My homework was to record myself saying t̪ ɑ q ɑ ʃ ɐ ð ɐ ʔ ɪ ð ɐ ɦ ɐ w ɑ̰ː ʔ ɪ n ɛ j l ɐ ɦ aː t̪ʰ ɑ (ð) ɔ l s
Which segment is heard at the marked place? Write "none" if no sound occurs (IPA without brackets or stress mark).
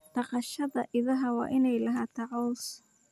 ʕ